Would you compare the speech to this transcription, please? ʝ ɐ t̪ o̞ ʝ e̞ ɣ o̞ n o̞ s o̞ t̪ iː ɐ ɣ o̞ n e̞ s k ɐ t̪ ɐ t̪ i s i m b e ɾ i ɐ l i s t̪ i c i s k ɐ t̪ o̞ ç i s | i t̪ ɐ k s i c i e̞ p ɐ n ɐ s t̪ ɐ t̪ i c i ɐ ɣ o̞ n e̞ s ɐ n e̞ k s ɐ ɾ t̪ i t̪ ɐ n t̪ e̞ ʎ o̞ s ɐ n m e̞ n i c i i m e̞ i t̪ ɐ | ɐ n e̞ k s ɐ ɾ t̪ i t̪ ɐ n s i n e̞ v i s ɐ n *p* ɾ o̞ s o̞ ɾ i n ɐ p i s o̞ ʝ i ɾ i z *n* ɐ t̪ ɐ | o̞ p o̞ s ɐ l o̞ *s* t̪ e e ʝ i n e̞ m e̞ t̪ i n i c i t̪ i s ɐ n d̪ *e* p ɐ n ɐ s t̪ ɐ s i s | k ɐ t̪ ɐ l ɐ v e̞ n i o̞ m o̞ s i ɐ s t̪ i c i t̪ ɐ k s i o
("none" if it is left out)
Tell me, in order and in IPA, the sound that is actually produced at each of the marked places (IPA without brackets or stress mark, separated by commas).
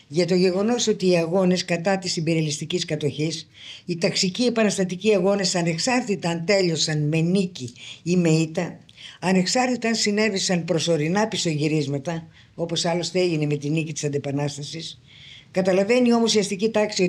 p, m, s, e